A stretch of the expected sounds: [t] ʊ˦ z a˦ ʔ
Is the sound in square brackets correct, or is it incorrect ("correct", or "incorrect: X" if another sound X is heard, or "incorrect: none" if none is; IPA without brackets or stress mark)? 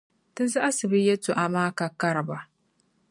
correct